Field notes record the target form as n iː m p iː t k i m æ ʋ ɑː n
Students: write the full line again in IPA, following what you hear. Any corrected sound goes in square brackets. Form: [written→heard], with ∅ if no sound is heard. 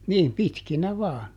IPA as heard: n iː m p [iː→i] t k i [m→n] æ ʋ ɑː n